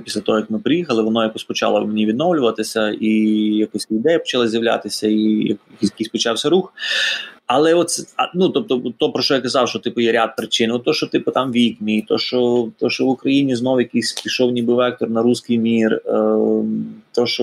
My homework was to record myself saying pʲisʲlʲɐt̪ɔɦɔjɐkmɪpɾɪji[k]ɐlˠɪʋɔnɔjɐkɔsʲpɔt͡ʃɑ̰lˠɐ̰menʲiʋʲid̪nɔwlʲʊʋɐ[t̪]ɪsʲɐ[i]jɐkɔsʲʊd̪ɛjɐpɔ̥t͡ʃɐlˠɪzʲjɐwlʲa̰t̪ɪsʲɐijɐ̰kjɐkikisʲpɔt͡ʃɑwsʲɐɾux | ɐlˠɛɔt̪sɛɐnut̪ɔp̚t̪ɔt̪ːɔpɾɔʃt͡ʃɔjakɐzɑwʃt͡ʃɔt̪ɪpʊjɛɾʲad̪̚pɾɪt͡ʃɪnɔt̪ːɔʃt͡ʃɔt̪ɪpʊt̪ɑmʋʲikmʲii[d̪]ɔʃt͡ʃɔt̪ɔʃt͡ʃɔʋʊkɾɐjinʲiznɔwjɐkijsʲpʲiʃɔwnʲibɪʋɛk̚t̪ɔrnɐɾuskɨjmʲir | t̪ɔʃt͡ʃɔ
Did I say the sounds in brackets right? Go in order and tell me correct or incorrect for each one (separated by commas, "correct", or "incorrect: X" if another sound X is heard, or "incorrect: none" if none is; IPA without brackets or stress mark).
incorrect: x, correct, correct, incorrect: t̪